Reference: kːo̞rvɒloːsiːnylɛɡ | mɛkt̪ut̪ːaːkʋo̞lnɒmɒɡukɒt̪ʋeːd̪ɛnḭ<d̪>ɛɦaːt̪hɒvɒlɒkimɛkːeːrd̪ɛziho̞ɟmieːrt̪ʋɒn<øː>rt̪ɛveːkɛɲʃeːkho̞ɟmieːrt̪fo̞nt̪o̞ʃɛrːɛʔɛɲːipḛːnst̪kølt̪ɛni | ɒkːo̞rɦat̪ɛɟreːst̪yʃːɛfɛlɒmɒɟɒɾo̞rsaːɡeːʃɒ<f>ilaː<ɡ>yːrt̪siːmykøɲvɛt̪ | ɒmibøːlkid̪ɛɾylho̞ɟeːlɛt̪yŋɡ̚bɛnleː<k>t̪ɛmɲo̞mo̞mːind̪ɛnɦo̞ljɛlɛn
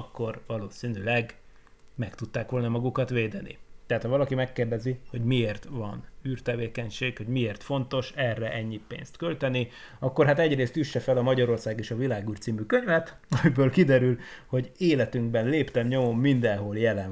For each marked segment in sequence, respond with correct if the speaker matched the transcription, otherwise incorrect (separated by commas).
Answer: incorrect, incorrect, incorrect, correct, incorrect